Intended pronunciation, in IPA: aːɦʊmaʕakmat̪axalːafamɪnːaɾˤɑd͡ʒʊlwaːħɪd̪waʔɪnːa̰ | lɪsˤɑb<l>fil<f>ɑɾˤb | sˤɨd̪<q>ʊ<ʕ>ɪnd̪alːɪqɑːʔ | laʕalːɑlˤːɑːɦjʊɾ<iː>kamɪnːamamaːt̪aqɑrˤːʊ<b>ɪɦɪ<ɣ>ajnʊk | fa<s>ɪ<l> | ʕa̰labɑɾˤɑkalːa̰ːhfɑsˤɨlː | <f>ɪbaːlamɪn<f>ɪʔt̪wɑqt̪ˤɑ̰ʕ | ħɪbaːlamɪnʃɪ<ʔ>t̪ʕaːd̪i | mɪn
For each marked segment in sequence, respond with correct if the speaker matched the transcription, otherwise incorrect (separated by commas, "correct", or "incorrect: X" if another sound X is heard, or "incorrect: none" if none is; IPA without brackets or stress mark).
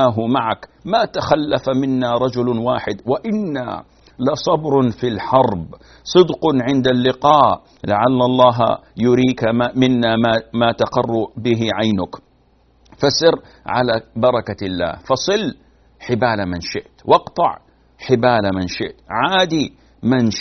incorrect: ɾ, incorrect: ħ, correct, correct, correct, correct, incorrect: ʕ, correct, incorrect: ɾ, incorrect: ħ, incorrect: ʃ, correct